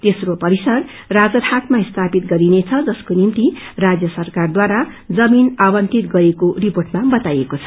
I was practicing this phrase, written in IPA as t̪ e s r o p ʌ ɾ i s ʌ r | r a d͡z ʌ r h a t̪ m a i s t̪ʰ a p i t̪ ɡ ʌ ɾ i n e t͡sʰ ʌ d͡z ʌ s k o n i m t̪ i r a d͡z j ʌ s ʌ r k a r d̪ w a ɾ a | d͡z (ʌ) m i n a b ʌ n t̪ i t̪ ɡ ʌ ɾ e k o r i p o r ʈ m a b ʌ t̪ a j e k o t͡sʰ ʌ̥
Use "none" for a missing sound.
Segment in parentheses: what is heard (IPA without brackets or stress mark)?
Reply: ʌ